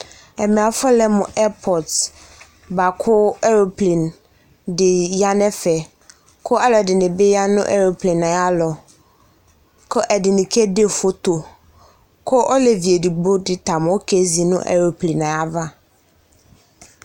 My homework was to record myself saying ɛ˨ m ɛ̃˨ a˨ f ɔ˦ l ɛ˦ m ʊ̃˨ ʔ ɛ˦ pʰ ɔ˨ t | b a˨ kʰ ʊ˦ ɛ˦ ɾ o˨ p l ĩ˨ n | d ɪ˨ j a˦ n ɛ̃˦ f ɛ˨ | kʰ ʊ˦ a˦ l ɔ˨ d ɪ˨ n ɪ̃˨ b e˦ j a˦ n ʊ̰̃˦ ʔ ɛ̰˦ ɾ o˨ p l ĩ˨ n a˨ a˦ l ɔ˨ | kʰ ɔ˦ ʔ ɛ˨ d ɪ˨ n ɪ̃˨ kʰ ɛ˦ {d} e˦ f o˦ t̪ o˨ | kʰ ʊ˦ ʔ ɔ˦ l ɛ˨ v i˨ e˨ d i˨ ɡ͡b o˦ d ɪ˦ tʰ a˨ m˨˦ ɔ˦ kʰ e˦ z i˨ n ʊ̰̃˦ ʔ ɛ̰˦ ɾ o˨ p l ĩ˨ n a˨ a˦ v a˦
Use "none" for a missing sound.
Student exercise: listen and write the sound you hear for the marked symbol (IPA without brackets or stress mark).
d